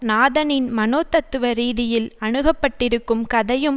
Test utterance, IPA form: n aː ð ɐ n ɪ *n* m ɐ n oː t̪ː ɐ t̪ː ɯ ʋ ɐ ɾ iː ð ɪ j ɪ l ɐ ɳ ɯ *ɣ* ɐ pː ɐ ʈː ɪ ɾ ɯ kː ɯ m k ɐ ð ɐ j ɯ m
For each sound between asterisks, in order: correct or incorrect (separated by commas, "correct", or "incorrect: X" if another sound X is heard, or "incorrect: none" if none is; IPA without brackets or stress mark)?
correct, correct